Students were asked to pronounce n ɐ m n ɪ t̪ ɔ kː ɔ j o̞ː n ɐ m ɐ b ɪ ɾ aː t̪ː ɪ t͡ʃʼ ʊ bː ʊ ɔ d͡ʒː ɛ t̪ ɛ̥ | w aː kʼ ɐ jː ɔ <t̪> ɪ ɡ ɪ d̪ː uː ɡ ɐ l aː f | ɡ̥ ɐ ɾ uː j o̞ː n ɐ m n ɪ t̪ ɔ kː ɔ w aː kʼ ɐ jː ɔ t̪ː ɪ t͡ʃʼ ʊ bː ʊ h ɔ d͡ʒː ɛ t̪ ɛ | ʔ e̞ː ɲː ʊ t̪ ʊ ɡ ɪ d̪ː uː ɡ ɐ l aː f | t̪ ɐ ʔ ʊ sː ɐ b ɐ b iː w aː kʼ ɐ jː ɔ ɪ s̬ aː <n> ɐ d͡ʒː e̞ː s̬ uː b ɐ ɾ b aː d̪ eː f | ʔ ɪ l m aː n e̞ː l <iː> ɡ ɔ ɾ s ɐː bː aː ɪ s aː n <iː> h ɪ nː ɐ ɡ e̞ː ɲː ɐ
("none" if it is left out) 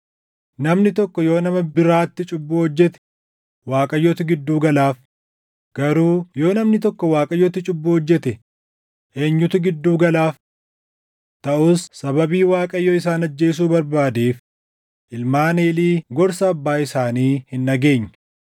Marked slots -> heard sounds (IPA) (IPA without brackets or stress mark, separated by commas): t̪, n, iː, iː